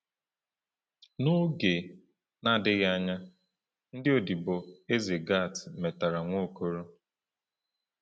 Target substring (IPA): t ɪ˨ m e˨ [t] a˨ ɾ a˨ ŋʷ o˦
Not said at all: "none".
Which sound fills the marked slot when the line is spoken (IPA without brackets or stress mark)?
t